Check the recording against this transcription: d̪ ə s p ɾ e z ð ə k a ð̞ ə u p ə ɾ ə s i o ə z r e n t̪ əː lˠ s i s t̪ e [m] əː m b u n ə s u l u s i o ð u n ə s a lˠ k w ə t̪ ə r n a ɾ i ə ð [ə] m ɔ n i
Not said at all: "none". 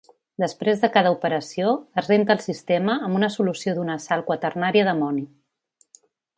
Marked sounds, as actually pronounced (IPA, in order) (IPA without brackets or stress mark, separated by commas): m, ə